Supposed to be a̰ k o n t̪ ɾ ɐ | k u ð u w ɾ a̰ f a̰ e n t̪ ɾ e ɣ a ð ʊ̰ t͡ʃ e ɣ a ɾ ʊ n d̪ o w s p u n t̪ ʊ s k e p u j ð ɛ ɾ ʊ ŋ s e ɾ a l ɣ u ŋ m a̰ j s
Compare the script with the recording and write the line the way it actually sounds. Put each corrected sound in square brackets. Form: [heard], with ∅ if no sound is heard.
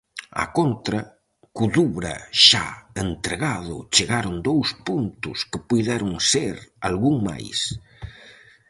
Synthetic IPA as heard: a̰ k o n t̪ ɾ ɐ | k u ð u [β] ɾ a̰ [ʃ] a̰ e n t̪ ɾ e ɣ a ð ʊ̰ t͡ʃ e ɣ a ɾ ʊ n d̪ o w s p u n t̪ ʊ s k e p u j ð ɛ ɾ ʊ ŋ s e ɾ a l ɣ u ŋ m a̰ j s